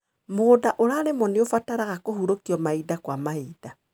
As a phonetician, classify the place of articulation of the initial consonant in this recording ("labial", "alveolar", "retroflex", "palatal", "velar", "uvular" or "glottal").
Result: labial